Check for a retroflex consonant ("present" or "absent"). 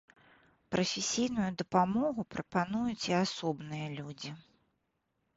absent